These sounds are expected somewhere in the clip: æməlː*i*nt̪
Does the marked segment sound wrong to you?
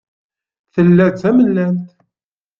yes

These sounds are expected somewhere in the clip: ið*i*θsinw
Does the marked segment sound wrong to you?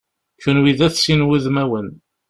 yes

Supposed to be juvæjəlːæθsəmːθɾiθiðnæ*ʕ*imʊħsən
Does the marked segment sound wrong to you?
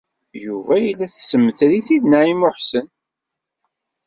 no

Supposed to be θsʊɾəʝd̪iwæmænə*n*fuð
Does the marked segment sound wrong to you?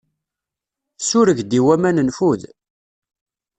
no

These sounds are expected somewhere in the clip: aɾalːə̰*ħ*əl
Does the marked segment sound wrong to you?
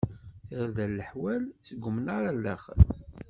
yes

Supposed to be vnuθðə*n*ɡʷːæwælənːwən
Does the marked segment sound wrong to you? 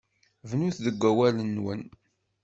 yes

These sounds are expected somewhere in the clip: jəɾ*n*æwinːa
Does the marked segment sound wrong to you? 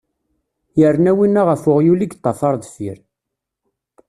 no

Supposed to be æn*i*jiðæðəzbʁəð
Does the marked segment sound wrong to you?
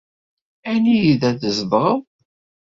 no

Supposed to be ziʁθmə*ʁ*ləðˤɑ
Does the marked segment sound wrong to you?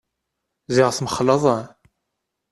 yes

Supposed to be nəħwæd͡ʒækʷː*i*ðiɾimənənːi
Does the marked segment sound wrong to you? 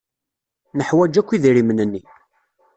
no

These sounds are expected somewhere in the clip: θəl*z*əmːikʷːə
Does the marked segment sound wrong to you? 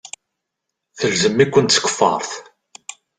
no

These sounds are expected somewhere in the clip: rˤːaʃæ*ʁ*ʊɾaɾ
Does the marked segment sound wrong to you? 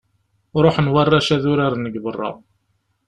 yes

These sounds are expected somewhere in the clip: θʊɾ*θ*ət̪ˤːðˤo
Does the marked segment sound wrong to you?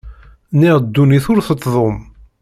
no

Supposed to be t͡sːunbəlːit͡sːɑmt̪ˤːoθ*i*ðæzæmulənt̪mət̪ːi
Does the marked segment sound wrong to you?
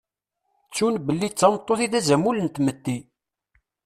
no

